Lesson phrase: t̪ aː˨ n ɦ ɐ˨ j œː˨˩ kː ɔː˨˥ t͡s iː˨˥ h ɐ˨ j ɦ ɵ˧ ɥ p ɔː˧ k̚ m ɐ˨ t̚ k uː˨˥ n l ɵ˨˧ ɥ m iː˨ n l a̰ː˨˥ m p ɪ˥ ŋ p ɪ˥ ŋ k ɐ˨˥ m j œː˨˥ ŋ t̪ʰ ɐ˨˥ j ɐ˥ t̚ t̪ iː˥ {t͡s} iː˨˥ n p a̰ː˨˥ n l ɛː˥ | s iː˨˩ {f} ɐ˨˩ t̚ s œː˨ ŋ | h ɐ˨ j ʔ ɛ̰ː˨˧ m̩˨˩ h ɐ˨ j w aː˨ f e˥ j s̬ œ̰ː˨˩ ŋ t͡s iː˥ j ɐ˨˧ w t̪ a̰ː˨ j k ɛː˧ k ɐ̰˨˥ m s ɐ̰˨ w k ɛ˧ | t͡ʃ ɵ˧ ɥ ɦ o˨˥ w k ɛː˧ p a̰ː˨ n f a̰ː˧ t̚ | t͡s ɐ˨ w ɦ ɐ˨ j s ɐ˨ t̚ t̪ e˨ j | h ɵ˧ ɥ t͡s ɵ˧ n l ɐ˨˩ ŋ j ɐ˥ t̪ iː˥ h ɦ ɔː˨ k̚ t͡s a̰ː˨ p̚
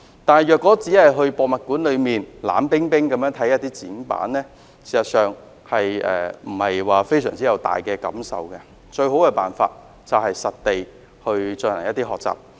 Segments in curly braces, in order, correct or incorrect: correct, incorrect: s

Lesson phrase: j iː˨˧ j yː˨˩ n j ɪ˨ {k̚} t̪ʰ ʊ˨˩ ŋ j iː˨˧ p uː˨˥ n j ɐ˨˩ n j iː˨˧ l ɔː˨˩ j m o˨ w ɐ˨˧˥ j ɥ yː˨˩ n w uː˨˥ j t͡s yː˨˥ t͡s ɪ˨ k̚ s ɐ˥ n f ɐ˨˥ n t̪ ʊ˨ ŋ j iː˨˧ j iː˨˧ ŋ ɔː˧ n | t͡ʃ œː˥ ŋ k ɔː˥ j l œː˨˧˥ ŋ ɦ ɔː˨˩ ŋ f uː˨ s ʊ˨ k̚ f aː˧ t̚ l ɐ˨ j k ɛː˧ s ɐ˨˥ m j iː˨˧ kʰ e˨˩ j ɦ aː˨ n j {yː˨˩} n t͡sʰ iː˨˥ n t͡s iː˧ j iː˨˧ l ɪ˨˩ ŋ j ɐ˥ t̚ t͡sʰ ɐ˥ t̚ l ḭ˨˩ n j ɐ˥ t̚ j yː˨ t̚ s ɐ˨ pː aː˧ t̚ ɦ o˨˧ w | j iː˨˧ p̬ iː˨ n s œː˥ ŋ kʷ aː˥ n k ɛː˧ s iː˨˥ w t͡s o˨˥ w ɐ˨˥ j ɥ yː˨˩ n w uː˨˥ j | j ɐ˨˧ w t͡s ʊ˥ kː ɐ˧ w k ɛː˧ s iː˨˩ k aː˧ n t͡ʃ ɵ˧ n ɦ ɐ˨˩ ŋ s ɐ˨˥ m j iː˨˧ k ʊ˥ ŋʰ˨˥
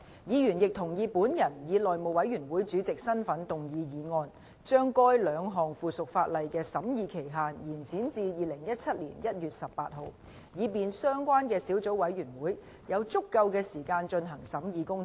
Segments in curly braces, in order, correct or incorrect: correct, incorrect: iː˨˩

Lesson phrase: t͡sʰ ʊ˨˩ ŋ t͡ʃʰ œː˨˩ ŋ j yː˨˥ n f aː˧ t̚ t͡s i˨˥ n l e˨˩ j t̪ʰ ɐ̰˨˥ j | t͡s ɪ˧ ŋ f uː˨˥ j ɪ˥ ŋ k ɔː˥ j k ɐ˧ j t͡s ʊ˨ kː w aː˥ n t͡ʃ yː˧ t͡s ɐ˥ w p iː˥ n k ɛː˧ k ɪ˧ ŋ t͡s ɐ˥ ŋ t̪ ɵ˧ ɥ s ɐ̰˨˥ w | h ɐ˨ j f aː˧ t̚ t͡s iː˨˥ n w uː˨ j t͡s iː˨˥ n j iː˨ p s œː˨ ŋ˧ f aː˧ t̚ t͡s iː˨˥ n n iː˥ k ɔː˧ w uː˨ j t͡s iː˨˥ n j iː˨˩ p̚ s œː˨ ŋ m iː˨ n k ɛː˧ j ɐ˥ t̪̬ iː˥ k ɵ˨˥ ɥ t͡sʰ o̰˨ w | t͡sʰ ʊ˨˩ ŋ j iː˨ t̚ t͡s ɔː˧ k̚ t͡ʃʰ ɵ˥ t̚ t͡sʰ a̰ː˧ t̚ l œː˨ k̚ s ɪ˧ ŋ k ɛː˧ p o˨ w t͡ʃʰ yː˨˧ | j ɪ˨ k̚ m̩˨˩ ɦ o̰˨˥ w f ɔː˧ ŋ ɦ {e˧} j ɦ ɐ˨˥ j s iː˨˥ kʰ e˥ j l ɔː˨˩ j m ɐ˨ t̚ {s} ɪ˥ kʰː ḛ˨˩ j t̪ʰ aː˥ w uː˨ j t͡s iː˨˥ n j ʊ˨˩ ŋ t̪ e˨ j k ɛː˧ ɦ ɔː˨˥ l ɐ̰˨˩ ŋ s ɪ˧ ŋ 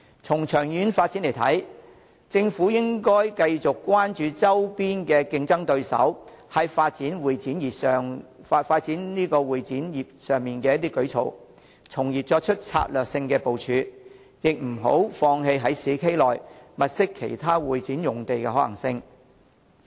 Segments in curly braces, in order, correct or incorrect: correct, correct

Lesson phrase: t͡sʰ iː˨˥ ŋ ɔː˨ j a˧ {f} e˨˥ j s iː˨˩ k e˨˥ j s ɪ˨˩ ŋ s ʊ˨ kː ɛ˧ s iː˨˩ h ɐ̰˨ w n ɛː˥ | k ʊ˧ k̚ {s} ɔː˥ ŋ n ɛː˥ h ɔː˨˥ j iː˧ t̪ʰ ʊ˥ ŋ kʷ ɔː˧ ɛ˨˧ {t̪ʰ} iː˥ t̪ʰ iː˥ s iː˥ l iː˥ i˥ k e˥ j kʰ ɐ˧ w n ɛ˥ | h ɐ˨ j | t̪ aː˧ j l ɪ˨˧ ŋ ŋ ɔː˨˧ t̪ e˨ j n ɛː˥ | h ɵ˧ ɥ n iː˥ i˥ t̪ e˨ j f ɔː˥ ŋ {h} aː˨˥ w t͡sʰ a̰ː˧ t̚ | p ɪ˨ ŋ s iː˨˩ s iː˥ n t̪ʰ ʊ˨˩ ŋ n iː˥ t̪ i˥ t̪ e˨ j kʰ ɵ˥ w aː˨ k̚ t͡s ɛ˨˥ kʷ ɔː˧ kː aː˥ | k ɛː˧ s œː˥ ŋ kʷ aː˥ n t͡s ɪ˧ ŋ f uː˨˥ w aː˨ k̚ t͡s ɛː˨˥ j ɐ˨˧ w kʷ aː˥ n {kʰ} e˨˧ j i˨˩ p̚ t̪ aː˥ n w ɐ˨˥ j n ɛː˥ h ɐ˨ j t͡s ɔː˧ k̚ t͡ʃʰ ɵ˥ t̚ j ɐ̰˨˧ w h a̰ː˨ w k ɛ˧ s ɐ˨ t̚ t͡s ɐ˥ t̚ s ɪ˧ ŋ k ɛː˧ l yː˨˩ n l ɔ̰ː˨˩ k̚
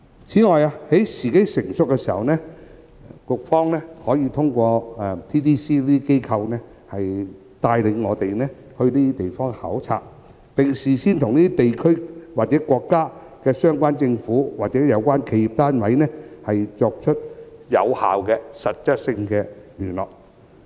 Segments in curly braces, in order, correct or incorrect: incorrect: h, incorrect: f, correct, correct, correct

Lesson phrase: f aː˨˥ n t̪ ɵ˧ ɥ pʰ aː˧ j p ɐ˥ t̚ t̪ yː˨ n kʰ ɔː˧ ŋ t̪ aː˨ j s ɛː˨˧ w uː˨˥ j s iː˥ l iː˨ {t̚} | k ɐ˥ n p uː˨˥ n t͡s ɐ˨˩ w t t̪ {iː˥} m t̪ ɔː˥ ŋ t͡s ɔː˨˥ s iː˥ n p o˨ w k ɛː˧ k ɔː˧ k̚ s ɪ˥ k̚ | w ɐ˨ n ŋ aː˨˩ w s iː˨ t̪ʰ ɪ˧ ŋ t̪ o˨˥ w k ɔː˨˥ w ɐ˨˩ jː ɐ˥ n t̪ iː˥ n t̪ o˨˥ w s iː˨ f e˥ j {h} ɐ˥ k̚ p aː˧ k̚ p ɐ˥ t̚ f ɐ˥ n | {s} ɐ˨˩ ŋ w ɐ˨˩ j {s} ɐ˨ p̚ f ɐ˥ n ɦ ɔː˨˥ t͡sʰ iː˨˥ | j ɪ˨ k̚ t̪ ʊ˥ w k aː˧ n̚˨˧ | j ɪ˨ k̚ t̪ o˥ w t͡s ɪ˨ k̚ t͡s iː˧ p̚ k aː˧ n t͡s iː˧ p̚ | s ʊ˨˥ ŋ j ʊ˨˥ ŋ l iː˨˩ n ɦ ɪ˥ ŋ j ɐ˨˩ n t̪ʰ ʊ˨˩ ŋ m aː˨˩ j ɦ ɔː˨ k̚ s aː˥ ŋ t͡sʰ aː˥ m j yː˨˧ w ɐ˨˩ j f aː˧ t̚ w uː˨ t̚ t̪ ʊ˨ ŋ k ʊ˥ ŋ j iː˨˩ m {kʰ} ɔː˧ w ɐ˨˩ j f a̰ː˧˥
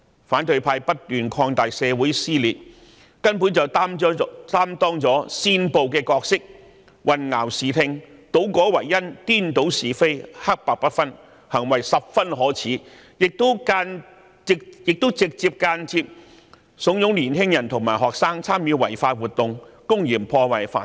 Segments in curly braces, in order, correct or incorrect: correct, incorrect: aː˥, correct, incorrect: h, correct, incorrect: pʰ

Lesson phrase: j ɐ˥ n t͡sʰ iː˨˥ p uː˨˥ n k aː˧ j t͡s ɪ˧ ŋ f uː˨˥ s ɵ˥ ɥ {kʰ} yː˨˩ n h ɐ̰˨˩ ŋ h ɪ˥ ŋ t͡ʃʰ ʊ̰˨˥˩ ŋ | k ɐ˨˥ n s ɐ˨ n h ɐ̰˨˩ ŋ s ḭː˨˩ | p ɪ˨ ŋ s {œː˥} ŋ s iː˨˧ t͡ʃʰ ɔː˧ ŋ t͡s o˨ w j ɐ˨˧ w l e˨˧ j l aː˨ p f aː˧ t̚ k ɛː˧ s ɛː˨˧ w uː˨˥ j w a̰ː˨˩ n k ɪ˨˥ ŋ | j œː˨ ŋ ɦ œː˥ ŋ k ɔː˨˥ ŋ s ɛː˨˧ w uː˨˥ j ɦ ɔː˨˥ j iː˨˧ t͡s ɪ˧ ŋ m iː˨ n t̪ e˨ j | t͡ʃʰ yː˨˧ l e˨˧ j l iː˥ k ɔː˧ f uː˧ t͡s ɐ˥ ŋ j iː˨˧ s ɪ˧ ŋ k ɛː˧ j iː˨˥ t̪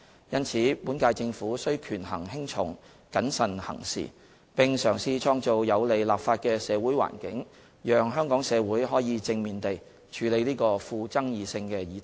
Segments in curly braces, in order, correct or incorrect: correct, incorrect: œː˨˩

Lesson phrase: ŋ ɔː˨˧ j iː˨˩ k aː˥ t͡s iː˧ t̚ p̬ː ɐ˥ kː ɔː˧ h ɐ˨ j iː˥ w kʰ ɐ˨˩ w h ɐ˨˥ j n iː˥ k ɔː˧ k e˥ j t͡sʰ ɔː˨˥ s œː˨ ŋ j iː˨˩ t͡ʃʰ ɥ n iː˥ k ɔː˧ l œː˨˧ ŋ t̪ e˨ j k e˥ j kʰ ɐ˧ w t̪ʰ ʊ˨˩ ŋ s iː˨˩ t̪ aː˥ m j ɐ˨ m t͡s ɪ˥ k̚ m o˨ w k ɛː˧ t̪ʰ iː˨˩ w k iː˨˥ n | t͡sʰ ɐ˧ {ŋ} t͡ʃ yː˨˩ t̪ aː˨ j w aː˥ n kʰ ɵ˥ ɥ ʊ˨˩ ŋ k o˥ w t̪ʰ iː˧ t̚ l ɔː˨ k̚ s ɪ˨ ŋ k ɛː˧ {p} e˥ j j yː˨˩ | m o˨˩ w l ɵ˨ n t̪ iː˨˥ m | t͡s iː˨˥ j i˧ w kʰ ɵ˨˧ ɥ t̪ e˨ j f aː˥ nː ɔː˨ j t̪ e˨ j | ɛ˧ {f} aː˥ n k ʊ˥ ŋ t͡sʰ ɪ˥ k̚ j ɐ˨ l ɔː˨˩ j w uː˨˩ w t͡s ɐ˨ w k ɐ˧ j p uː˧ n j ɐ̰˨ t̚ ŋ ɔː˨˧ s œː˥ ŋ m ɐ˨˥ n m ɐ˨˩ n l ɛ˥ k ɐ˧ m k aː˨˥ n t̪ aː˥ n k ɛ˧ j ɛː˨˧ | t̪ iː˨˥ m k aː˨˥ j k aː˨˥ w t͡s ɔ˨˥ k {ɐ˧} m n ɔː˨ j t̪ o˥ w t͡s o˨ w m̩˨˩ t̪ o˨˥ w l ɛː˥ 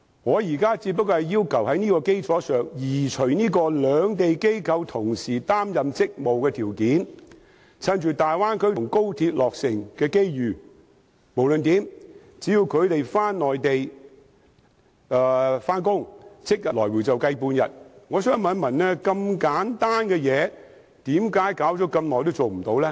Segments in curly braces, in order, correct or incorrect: incorrect: n, incorrect: k, correct, correct

